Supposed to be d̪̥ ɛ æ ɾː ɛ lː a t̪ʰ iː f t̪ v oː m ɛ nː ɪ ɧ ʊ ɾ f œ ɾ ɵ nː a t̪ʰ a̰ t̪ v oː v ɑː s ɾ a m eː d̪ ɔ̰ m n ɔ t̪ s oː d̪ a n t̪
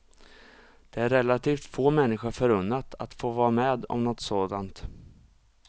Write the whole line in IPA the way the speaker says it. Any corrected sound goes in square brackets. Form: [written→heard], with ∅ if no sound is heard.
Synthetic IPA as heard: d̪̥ ɛ æ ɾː ɛ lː a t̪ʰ iː f t̪ [v→f] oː m ɛ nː ɪ ɧ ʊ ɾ f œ ɾ ɵ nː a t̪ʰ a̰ t̪ [v→f] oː v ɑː [s→∅] ɾ a m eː d̪ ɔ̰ m n ɔ t̪ s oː d̪ a n t̪